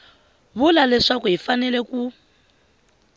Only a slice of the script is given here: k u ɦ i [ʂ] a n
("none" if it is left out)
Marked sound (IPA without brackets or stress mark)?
f